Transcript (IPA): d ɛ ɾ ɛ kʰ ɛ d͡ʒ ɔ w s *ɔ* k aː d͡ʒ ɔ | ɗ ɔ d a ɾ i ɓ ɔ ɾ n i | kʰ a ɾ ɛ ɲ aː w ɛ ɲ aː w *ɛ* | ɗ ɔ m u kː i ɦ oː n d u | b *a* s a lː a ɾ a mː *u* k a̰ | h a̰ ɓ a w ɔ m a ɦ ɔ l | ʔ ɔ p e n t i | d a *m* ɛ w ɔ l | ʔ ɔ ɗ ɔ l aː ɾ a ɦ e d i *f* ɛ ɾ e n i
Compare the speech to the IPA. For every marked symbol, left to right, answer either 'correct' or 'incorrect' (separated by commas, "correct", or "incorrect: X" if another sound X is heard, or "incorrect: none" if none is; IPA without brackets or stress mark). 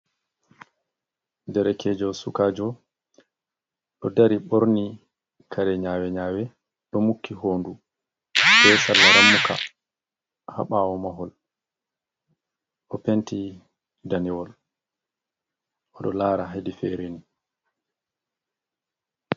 incorrect: u, correct, incorrect: ɛ, correct, incorrect: n, correct